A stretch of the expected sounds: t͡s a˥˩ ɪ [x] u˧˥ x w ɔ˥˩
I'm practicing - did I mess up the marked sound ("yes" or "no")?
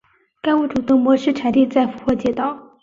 yes